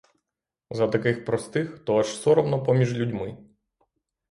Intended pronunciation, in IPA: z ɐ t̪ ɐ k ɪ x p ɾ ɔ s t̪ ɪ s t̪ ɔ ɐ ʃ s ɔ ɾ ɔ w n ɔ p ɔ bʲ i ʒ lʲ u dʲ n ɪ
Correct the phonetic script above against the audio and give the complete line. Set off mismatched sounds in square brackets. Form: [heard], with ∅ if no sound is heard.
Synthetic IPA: z ɐ t̪ ɐ k ɪ x p ɾ ɔ s t̪ ɪ [x] t̪ ɔ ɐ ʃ s ɔ ɾ ɔ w n ɔ p ɔ [mʲ] i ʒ lʲ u dʲ [m] ɪ